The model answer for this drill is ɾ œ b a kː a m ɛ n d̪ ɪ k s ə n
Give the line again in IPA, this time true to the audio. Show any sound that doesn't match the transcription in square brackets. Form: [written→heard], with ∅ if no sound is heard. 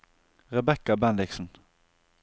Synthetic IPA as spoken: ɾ [œ→ɛ] b [a→ɛ] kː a [m→b] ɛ n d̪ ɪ k s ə n